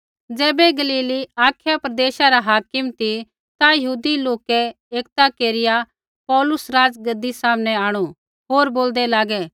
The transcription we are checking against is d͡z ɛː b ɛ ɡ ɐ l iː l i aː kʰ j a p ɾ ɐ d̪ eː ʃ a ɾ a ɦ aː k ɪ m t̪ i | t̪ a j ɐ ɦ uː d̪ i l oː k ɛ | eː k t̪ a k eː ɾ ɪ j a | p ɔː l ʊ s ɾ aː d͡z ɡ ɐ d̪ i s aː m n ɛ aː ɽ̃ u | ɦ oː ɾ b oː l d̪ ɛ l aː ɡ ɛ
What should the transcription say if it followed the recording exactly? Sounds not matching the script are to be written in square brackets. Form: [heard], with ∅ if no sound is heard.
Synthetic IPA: d͡z ɛː b ɛ ɡ ɐ l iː l i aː kʰ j a p ɾ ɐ d̪ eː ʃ a ɾ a ɦ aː k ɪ m t̪ i | t̪ a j ɐ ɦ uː d̪ i l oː k ɛ | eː k t̪ a k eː ɾ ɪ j a | p ɔː l ʊ s ɾ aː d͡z ɡ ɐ d̪ i s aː m n ɛ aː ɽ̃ u | ɦ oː ɾ b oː l d̪ ɛ l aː ɡ ɛ